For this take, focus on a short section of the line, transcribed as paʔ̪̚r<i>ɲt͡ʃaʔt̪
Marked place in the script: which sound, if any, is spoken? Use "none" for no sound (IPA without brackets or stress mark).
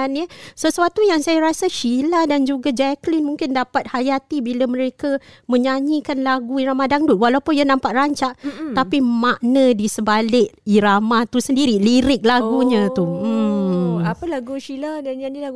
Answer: a